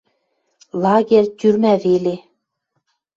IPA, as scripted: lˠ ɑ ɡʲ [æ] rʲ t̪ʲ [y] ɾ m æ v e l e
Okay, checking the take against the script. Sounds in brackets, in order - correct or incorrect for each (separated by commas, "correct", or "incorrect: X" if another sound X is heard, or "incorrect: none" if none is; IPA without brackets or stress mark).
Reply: incorrect: e, correct